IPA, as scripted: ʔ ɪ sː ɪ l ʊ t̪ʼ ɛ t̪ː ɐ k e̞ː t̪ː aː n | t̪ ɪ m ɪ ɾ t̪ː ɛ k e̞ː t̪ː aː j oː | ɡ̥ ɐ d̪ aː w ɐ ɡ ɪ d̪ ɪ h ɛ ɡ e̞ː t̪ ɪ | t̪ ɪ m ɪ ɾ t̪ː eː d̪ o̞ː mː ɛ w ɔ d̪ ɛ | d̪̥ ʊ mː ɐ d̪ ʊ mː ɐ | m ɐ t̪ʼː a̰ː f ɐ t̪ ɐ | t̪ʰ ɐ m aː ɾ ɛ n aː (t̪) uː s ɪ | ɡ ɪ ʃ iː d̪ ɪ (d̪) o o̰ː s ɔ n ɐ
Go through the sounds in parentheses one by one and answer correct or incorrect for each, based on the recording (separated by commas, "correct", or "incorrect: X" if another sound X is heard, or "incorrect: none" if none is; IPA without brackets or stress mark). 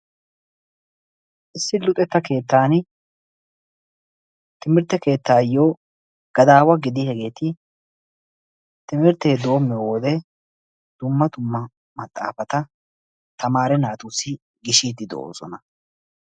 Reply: correct, correct